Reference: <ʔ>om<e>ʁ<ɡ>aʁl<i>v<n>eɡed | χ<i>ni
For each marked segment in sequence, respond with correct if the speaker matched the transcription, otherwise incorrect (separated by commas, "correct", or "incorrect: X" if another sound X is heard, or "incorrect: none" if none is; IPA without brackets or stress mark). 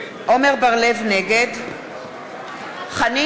correct, correct, incorrect: b, incorrect: e, correct, incorrect: a